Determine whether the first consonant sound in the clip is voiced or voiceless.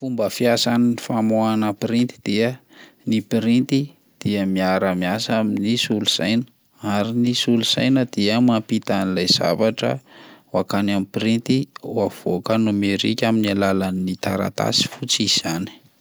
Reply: voiceless